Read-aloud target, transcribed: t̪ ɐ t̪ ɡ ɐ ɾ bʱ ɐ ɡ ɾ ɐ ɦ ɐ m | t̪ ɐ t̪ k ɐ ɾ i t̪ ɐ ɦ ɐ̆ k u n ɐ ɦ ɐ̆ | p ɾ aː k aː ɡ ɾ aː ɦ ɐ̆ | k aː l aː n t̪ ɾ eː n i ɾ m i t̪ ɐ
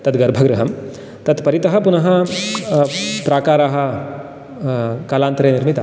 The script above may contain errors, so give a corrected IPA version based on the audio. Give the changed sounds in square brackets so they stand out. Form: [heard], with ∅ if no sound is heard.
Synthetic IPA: t̪ ɐ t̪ ɡ ɐ ɾ bʱ ɐ ɡ ɾ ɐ ɦ ɐ m | t̪ ɐ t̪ [p] ɐ ɾ i t̪ ɐ ɦ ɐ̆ [p] u n ɐ ɦ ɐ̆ | p ɾ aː k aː [∅] ɾ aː ɦ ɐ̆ | k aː l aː n t̪ ɾ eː n i ɾ m i t̪ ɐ